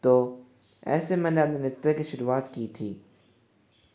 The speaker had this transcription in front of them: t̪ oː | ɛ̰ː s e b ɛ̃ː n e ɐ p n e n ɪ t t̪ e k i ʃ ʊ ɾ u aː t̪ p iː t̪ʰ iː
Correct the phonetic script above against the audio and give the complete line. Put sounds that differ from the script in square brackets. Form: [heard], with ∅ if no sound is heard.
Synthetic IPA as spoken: t̪ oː | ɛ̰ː s e [m] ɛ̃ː n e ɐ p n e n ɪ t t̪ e k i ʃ ʊ ɾ u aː t̪ [k] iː t̪ʰ iː